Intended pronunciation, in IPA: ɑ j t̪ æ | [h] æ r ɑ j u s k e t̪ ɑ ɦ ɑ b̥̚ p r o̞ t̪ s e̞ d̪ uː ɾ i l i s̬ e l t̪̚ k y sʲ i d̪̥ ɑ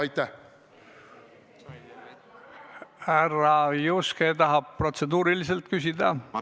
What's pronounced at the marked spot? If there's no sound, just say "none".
h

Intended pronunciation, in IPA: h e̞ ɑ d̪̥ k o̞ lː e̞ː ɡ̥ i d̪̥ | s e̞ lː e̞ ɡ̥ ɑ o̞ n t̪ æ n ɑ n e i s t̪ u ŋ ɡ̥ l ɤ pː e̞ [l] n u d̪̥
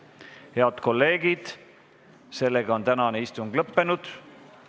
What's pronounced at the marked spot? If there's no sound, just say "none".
none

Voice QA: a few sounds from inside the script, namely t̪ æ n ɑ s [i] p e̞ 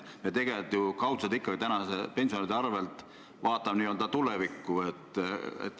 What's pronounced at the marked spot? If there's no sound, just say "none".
e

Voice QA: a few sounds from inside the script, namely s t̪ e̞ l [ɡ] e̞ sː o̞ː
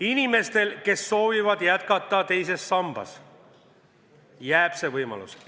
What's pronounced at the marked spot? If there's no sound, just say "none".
k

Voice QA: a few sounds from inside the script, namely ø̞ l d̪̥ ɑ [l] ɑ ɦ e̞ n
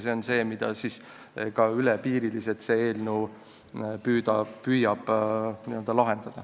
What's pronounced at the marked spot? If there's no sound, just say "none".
l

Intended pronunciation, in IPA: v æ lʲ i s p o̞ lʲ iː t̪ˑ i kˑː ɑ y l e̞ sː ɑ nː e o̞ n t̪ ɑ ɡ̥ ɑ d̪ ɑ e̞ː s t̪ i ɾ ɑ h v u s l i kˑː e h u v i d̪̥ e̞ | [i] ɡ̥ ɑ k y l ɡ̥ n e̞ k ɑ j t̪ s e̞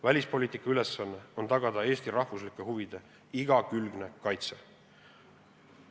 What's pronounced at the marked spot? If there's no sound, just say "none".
i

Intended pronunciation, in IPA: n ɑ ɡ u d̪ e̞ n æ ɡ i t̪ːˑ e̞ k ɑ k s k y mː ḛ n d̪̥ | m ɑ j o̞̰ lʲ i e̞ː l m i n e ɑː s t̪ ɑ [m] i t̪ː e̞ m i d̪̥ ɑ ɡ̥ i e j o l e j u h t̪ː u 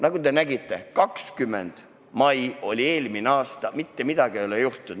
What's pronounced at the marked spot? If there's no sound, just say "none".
m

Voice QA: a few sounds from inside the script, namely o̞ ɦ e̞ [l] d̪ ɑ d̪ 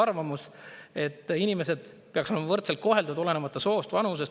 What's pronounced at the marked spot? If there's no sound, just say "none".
l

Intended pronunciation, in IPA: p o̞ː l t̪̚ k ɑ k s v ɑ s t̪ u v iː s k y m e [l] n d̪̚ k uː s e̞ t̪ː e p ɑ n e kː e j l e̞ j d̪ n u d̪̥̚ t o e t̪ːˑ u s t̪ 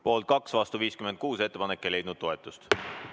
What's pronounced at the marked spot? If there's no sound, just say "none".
none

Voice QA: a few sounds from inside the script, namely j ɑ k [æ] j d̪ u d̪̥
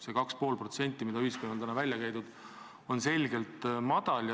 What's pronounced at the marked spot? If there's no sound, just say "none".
æ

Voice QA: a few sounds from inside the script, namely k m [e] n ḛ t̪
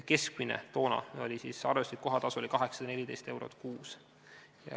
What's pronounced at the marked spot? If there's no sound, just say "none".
i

